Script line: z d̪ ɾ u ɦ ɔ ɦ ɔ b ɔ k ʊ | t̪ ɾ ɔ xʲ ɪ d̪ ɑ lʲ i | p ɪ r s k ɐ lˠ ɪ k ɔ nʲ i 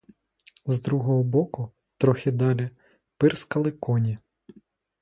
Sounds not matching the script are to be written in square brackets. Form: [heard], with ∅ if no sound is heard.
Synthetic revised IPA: z d̪ ɾ u ɦ ɔ ɦ ɔ b ɔ k ʊ | t̪ ɾ ɔ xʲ ɪ d̪ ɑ lʲ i | p ɪ r s k ɐ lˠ ɪ k ɔ nʲ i